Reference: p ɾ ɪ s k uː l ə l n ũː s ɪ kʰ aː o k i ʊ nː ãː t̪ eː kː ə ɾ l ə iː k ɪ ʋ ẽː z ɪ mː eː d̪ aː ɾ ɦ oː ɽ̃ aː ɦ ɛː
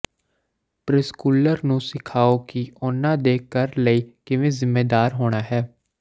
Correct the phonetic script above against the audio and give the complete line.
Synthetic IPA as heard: p ɾ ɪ s k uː l ə ɾ n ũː s ɪ kʰ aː o k i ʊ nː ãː d̪ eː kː ə ɾ l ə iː k ɪ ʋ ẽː z ɪ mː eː d̪ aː ɾ ɦ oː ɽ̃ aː ɦ ɛː